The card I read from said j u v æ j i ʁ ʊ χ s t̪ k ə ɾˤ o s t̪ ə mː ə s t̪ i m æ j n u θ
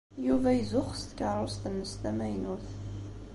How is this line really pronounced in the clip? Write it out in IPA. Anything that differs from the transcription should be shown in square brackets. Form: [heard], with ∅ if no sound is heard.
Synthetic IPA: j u v æ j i [z] ʊ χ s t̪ k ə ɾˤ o s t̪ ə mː ə s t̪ [æ] m æ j n u θ